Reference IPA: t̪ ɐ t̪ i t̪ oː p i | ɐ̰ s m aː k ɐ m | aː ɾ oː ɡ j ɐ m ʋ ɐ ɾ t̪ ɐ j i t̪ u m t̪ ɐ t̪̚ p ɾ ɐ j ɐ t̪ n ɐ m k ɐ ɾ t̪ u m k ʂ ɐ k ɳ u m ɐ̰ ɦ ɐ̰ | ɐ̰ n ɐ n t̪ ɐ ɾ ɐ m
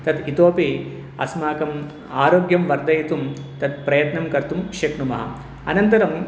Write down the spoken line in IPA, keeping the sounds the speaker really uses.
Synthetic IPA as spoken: t̪ ɐ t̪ i t̪ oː p i | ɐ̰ s m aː k ɐ m | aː ɾ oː ɡ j ɐ m ʋ ɐ ɾ d̪ ɐ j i t̪ u m t̪ ɐ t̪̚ p ɾ ɐ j ɐ t̪ n ɐ m k ɐ ɾ t̪ u m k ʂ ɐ k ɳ u m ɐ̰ ɦ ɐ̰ | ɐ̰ n ɐ n t̪ ɐ ɾ ɐ m